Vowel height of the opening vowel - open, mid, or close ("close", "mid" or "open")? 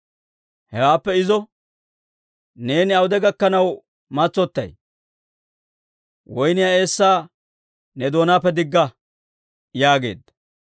mid